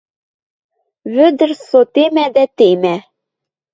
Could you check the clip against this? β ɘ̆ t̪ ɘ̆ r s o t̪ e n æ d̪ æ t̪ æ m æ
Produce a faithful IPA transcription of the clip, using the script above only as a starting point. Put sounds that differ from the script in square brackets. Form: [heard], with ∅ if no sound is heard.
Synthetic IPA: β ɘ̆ [d̪] ɘ̆ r s o t̪ e [m] æ d̪ æ t̪ [e] m æ